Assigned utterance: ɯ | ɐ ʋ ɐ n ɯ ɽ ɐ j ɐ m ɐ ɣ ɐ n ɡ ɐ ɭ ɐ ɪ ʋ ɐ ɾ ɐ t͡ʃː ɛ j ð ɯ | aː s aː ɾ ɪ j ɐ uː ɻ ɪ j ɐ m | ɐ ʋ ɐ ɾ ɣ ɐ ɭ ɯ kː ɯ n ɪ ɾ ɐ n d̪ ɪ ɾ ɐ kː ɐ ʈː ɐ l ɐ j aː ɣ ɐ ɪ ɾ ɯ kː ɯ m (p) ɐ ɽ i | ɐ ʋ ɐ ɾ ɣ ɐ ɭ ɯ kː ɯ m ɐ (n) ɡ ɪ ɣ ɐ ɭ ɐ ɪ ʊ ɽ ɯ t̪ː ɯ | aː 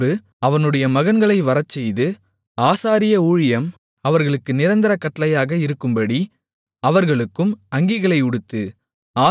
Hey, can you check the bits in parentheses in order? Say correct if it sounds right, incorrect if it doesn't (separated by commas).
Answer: incorrect, incorrect